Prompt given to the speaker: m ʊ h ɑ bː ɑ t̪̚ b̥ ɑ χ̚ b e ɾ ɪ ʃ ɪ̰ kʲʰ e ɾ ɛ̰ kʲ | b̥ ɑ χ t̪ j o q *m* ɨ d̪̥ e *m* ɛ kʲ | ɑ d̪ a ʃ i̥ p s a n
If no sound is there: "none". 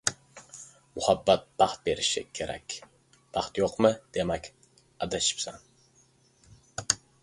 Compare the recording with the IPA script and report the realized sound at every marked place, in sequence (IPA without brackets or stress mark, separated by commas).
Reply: m, m